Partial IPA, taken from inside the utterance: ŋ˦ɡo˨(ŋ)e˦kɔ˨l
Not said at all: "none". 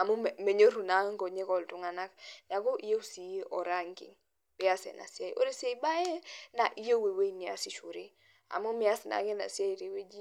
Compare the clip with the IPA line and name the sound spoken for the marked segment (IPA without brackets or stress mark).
ɲ